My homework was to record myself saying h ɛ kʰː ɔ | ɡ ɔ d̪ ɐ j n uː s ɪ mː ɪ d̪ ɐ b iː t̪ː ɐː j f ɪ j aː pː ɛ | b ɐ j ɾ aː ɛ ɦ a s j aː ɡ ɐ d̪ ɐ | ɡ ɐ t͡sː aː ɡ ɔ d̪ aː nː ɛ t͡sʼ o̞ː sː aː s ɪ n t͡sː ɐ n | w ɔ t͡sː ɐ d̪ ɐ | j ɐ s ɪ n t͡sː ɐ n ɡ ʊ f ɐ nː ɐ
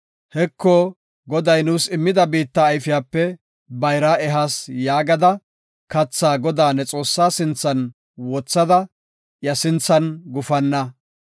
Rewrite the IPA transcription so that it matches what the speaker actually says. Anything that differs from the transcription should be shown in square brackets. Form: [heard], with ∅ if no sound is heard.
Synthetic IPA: h ɛ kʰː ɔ | ɡ ɔ d̪ ɐ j n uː s ɪ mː ɪ d̪ ɐ b iː t̪ː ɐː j f ɪ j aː pː ɛ | b ɐ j ɾ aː ɛ ɦ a s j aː ɡ ɐ d̪ ɐ | [k] ɐ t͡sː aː ɡ ɔ d̪ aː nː ɛ t͡sʼ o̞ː sː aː s ɪ n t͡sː ɐ n | w ɔ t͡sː ɐ d̪ ɐ | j ɐ s ɪ n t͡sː ɐ n ɡ ʊ f ɐ nː ɐ